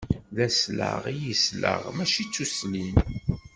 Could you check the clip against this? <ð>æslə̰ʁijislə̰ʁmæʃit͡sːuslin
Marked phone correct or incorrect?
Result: correct